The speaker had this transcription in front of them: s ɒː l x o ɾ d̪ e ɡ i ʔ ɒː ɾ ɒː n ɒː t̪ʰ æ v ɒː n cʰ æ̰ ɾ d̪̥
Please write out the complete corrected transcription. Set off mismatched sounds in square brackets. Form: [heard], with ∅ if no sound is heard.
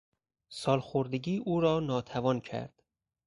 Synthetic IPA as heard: s ɒː l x o ɾ d̪ e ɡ [iː] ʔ [uː] ɾ ɒː n ɒː t̪ʰ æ v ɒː n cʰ æ̰ ɾ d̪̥